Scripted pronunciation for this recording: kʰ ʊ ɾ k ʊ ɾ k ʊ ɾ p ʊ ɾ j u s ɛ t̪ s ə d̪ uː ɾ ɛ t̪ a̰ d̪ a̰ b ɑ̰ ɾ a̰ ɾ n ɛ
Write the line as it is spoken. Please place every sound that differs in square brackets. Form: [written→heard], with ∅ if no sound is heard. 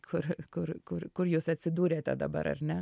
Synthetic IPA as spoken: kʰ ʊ ɾ k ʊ ɾ k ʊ ɾ [p→k] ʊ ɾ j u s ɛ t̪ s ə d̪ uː ɾ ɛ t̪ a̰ d̪ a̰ b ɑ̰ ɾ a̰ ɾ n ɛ